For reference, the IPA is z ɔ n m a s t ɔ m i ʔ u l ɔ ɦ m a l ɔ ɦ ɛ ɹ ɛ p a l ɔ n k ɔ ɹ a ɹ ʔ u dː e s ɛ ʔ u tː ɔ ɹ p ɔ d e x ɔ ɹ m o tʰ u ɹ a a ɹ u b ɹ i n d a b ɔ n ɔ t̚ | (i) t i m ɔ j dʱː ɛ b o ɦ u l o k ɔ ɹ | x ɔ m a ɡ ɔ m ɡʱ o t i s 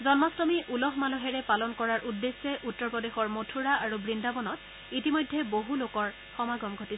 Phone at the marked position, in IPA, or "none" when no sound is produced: i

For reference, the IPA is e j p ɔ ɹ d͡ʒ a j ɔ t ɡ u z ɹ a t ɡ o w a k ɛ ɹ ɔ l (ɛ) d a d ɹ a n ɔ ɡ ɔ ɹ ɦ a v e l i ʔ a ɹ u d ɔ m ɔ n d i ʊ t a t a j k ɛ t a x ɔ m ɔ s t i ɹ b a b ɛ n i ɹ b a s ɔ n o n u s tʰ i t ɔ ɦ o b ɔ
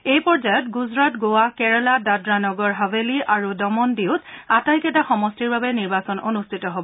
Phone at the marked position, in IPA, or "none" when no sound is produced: a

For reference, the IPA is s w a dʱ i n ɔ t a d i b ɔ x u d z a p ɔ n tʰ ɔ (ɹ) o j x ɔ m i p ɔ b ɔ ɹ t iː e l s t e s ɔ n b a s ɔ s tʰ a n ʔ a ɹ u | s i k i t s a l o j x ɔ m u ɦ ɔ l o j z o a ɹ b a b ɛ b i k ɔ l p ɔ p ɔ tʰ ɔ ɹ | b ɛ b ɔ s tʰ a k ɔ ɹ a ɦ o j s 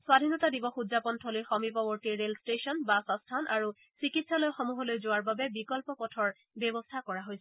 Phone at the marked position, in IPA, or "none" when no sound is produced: l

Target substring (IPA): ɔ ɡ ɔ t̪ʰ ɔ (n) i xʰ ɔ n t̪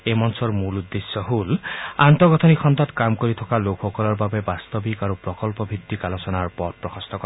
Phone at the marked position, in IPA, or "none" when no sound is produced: n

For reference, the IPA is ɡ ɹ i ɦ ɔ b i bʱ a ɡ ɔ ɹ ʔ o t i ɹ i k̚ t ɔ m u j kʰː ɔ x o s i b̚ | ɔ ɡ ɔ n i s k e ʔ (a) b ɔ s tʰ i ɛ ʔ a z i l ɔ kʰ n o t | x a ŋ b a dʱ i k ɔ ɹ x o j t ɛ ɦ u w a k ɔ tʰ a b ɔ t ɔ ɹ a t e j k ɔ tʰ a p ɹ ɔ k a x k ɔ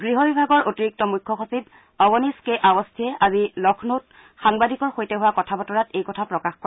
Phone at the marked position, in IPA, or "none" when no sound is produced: a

